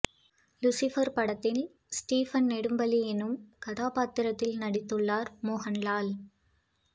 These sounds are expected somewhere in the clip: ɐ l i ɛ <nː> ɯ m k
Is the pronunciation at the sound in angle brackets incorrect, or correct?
incorrect